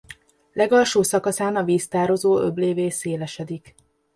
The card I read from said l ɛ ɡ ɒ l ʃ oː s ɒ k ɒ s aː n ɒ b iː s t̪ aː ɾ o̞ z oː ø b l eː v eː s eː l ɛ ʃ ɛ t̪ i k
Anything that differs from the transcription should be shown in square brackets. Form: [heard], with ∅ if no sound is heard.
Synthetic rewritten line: l ɛ ɡ ɒ l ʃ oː s ɒ k ɒ s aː n ɒ [v] iː s t̪ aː ɾ o̞ z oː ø b l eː v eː s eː l ɛ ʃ ɛ [d̪] i k